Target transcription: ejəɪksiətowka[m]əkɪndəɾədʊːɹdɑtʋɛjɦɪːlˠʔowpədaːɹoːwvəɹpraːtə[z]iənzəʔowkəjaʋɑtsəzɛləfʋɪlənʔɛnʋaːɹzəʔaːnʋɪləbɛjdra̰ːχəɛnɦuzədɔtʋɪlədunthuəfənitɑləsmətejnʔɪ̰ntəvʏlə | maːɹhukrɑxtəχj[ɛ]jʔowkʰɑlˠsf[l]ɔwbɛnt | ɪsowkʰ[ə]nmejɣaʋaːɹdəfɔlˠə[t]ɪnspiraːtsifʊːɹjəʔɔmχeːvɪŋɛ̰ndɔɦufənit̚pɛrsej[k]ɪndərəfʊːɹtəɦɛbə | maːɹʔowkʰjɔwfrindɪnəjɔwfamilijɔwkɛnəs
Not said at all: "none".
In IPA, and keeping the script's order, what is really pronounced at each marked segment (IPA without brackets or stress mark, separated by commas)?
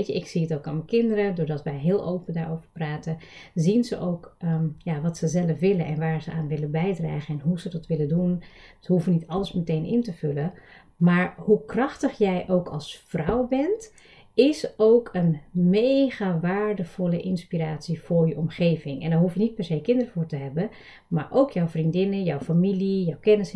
m, z, ɛ, r, ə, ʔ, k